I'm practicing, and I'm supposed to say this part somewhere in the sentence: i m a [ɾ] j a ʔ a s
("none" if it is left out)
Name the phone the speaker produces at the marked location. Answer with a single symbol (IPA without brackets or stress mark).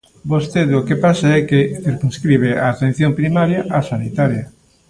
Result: ɾ